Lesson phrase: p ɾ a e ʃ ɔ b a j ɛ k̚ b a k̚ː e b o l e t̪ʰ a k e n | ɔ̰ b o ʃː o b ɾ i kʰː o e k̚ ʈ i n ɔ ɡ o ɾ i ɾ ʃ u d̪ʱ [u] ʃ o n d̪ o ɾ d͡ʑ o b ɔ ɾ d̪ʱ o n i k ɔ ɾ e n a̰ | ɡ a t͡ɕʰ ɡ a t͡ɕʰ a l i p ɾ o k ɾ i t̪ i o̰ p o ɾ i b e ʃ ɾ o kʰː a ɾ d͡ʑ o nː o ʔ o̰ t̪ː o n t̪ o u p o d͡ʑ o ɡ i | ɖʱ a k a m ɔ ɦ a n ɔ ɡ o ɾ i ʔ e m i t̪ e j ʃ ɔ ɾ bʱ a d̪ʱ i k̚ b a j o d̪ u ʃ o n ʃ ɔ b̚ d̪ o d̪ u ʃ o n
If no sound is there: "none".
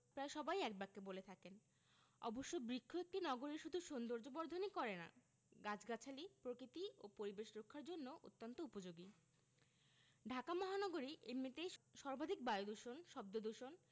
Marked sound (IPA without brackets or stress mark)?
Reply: u